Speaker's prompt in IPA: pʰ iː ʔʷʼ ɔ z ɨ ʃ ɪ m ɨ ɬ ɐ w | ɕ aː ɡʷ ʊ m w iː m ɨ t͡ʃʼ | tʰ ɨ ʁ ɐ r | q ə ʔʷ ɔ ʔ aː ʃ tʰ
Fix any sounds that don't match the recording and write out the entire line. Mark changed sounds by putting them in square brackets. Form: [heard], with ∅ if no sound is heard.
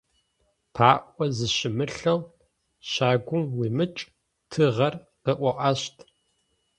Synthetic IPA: pʰ [aː] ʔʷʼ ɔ z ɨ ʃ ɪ m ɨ ɬ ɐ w | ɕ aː ɡʷ ʊ m w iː m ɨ t͡ʃʼ | tʰ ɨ ʁ ɐ r | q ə ʔʷ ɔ ʔ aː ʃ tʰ

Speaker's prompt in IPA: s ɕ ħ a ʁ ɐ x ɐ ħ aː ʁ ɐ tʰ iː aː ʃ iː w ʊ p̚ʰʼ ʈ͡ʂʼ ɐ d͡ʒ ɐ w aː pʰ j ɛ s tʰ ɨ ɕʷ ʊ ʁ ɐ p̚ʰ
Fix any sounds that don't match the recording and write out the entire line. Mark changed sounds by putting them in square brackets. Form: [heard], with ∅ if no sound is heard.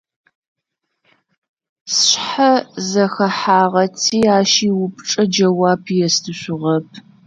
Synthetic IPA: s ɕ ħ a [z] ɐ x ɐ ħ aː ʁ ɐ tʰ iː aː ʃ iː w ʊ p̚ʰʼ ʈ͡ʂʼ ɐ d͡ʒ ɐ w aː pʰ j ɛ s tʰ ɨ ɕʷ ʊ ʁ ɐ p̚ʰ

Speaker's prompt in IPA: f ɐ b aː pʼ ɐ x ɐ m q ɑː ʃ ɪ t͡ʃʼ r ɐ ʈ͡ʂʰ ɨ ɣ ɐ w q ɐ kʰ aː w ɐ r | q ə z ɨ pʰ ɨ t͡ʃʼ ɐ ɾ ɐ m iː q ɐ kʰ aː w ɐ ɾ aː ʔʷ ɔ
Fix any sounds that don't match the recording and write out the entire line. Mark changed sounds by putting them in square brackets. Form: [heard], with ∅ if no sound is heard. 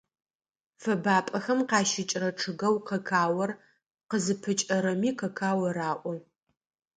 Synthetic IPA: f ɐ b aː pʼ ɐ x ɐ m q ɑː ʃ ɪ t͡ʃʼ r ɐ ʈ͡ʂʰ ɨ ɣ ɐ w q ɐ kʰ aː w ɐ r | q ə z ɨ pʰ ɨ t͡ʃʼ ɐ ɾ ɐ m iː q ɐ kʰ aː w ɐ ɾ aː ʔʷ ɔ

